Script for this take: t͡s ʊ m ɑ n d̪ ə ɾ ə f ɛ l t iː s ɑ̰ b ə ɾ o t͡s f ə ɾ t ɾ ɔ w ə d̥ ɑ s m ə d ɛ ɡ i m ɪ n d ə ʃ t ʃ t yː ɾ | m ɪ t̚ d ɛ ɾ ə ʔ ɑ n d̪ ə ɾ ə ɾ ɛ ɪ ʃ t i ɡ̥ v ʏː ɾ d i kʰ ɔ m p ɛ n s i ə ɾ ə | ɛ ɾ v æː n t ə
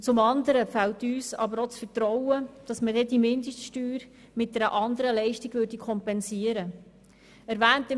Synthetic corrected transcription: t͡s ʊ m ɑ n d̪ ə ɾ ə f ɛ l t yː s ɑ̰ b ə ɾ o t͡s f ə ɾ t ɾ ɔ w ə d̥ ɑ s m ə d ɛ d i m ɪ n d ə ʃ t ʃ t yː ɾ | m ɪ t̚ d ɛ ɾ ə ʔ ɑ n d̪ ə ɾ ə l ɛ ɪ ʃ t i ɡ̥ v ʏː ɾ d i kʰ ɔ m p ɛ n s i ə ɾ ə | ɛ ɾ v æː n t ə

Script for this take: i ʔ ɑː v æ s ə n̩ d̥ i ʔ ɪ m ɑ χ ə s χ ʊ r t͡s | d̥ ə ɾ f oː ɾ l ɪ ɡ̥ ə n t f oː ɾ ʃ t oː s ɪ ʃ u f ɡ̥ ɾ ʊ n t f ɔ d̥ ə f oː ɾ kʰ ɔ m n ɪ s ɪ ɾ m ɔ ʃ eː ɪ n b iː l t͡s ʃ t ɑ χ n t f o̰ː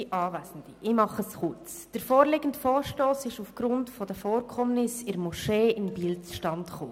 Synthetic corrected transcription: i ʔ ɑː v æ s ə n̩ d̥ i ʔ ɪ m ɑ χ ə s χ ʊ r t͡s | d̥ ə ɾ f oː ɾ l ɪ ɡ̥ ə n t f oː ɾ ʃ t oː s ɪ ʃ u f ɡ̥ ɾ ʊ n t f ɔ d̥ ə f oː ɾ kʰ ɔ m n ɪ s ɪ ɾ m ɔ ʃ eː ɪ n b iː l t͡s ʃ t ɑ n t χ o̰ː

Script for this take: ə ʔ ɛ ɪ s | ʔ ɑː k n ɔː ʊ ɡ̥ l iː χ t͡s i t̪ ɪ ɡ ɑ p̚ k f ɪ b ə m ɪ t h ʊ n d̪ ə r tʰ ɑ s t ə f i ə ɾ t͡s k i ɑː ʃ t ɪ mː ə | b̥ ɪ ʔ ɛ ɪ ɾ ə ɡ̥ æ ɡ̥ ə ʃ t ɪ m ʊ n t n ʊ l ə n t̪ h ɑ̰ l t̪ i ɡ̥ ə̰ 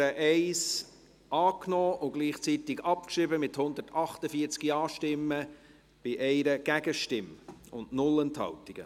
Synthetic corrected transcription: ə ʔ ɛ ɪ s | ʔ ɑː k n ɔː ʊ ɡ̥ l iː χ t͡s i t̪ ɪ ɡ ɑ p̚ k ʃ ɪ b ə m ɪ t h ʊ n d̪ ə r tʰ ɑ χ t ə f i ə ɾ t͡s k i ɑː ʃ t ɪ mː ə | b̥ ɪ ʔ ɛ ɪ ɾ ə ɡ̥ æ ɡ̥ ə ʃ t ɪ m ʊ n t n ʊ l ə n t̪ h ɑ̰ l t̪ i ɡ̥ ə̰

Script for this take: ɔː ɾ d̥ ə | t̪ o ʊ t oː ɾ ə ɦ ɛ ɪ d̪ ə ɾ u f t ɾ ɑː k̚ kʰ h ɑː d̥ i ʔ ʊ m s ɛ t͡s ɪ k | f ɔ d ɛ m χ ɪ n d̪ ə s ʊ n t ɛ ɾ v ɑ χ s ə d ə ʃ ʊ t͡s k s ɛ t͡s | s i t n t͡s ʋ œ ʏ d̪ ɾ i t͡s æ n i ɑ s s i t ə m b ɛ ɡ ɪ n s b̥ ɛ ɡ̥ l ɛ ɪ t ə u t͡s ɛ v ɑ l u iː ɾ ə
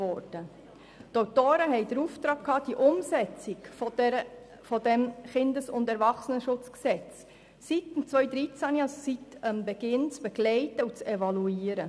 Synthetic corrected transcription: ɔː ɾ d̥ ə | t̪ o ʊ t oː ɾ ə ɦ ɛ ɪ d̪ ə ɾ u f t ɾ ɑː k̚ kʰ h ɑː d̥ i ʔ ʊ m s ɛ t͡s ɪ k | f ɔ d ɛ m χ ɪ n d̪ ə s ʊ n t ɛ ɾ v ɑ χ s ə n ə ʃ ʊ t͡s k s ɛ t͡s | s i t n t͡s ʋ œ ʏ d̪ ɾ i t͡s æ n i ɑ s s i t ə m b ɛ ɡ ɪ n t͡s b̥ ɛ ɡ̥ l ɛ ɪ t ə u t͡s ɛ v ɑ l u iː ɾ ə

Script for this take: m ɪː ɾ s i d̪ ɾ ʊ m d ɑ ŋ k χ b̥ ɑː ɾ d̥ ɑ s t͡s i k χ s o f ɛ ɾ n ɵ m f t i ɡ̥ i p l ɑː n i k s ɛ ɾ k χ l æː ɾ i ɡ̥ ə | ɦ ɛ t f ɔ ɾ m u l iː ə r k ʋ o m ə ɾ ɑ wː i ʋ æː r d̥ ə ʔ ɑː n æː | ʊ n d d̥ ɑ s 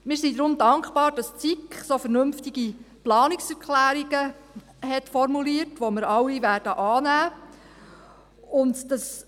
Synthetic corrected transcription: m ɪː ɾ s i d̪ ɾ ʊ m d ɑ ŋ k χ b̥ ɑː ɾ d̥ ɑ s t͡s i k χ s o f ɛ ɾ n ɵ m f t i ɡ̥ i p l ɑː n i k s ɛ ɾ k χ l æː ɾ i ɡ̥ ə | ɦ ɛ t f ɔ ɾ m u l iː ə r t ʋ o m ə ɾ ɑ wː i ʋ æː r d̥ ə ʔ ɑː n æː | ʊ n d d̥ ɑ s

